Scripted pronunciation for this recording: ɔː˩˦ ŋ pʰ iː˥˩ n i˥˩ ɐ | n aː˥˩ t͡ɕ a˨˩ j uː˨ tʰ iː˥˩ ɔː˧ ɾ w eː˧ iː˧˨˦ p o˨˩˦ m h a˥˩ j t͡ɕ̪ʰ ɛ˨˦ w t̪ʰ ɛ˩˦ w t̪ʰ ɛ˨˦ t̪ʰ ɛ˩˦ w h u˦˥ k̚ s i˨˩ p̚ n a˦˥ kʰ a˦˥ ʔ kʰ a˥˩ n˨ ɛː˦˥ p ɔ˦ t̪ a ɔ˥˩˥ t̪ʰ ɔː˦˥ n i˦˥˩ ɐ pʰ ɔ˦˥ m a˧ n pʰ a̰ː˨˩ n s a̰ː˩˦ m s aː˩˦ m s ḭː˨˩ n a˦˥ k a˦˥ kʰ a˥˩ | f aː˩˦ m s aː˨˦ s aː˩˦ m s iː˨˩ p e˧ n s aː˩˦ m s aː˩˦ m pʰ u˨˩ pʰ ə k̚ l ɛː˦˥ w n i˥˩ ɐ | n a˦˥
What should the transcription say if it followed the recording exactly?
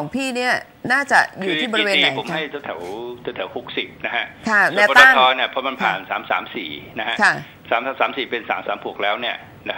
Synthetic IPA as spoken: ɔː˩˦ ŋ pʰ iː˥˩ n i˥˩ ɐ | n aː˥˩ t͡ɕ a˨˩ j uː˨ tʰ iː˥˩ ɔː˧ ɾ w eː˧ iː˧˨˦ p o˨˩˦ m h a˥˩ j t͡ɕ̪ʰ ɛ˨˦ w t̪ʰ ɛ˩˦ w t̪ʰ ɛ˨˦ t̪ʰ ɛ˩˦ w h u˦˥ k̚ s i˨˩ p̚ n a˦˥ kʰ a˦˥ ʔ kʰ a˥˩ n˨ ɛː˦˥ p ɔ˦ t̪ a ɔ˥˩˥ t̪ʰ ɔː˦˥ n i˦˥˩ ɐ pʰ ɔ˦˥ m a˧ n pʰ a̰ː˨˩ n s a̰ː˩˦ m s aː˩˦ m s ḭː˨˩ n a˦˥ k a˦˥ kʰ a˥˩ | s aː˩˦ m s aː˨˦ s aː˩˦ m s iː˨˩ p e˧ n s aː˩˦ m s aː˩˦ m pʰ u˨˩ ə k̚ l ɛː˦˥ w n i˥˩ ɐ | n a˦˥